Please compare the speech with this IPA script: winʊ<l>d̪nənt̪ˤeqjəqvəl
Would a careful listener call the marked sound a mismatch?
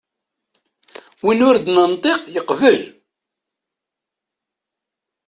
yes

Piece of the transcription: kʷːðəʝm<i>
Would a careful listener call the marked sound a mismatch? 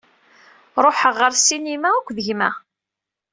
yes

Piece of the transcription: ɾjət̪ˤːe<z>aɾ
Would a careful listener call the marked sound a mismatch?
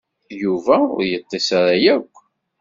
yes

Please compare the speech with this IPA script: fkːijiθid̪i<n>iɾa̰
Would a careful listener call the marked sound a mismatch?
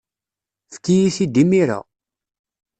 yes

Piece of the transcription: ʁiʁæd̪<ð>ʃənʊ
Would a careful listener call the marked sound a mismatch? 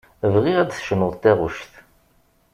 yes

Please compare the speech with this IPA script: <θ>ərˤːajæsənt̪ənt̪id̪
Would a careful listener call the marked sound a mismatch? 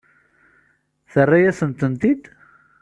no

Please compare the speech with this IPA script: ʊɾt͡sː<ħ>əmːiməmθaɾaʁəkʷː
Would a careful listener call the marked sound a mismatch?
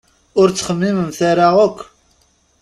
yes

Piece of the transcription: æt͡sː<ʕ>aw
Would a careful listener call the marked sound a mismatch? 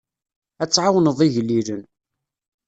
no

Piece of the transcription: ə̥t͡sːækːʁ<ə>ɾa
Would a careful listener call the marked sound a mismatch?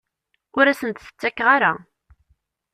yes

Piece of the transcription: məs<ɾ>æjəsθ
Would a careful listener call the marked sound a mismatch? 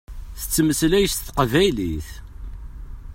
yes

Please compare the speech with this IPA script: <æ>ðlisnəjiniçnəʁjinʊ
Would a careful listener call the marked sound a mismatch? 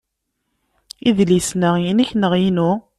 yes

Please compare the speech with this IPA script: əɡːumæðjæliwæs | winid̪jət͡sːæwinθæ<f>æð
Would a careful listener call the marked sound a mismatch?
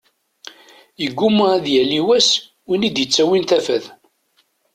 no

